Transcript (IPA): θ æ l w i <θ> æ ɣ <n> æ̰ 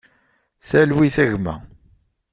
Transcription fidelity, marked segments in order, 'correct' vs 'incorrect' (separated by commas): correct, incorrect